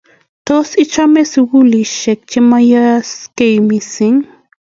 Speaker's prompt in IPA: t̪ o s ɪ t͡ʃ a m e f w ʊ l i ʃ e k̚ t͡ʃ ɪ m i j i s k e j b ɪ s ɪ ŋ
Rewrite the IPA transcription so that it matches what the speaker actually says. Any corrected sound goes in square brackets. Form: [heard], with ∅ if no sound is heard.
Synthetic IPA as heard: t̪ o s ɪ t͡ʃ a m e [s] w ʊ l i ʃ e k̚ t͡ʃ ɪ m [a] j [a] s k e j [m] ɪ s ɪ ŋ